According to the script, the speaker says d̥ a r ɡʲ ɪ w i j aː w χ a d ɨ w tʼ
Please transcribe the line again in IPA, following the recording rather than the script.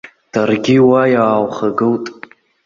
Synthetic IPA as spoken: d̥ a r ɡʲ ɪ w a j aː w χ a ɡ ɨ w tʼ

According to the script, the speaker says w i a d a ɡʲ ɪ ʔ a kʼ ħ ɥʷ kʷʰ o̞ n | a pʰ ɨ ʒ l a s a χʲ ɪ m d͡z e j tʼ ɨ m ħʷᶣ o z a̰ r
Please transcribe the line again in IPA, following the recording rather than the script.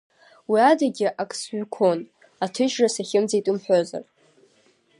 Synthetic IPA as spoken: w i a d a ɡʲ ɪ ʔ a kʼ s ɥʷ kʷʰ o̞ n | a tʰ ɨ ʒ r a s a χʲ ɪ m d͡z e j tʼ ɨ m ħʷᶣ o z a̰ r

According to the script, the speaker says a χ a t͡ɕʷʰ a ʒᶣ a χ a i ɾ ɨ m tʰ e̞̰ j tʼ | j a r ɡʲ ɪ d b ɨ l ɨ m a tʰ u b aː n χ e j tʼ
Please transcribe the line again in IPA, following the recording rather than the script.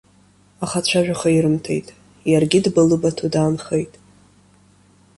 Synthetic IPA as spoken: a χ a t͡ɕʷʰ a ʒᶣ a χ a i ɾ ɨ m tʰ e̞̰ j tʼ | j a r ɡʲ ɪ d b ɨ l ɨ b a tʰ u d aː n χ e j tʼ

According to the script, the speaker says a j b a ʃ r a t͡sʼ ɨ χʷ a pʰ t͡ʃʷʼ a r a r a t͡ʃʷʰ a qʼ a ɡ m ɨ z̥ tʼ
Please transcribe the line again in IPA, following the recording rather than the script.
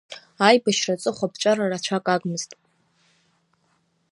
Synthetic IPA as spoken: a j b a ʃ r a t͡sʼ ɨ χʷ a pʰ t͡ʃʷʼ a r a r a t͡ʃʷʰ a kʼ a ɡ m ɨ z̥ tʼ

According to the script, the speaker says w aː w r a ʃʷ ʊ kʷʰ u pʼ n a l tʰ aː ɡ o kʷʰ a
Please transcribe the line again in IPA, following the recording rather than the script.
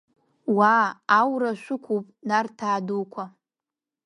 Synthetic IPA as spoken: w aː w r a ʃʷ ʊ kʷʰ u pʼ n a r tʰ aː d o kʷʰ a

